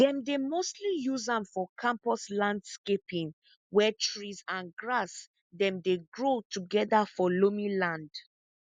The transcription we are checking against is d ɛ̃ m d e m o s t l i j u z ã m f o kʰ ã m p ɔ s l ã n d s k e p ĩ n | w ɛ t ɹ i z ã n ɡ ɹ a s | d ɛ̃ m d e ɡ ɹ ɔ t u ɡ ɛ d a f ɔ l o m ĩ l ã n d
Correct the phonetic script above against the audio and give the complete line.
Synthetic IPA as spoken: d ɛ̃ m d e m o s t l i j u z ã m f ɔ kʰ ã m p ɔ s l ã n d s k e p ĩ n | w ɛ t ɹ i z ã n ɡ ɹ a s | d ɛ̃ m d e ɡ ɹ o t u ɡ ɛ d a f ɔ l o m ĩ l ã n d